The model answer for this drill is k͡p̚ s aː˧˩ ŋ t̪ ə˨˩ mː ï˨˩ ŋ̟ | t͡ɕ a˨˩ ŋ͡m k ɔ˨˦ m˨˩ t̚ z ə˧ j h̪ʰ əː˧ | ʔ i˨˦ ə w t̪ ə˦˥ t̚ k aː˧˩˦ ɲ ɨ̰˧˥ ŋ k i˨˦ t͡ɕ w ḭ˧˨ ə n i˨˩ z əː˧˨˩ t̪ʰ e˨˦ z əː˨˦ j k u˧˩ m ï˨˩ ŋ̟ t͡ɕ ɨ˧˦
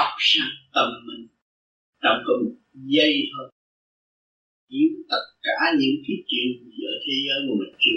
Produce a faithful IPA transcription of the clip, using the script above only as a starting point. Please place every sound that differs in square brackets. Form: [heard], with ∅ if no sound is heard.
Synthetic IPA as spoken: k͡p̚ s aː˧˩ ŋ t̪ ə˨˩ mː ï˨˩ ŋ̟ | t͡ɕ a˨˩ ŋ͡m k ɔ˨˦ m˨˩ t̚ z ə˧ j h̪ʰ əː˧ | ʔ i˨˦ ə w t̪ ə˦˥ t̚ k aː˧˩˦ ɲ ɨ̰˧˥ ŋ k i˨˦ t͡ɕ w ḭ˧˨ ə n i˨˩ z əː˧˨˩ t̪ʰ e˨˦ z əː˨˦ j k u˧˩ m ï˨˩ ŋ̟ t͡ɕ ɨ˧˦